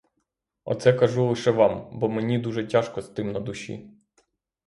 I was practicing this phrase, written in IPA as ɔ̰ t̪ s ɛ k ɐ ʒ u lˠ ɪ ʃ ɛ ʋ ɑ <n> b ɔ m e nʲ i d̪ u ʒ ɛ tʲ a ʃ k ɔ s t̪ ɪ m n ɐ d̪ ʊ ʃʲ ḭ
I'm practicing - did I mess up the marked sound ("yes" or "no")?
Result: yes